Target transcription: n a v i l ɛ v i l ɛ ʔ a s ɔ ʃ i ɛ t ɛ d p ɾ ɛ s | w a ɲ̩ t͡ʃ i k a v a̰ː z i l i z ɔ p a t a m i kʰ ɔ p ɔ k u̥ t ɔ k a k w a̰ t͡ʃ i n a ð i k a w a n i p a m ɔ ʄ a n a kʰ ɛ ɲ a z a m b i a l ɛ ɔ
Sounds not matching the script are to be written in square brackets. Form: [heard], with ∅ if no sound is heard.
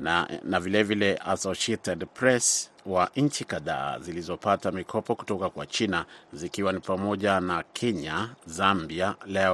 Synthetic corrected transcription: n a v i l ɛ v i l ɛ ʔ a s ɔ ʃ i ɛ t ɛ d p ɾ ɛ s | w a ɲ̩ t͡ʃ i k a [ð] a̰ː z i l i z ɔ p a t a m i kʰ ɔ p ɔ k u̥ t ɔ k a k w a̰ t͡ʃ i n a [z] i k [i] w a n i p a m ɔ ʄ a n a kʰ ɛ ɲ a z a m b i a l ɛ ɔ